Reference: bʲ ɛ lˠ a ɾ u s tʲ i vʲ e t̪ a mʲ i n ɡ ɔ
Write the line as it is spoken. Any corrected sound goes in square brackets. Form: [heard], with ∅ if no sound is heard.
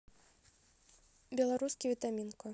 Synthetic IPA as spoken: bʲ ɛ lˠ a ɾ u s [kʲ] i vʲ [i] t̪ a mʲ i n [k] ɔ